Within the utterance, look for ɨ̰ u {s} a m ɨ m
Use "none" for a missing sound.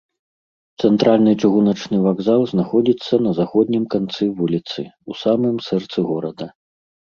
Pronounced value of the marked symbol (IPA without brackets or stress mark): s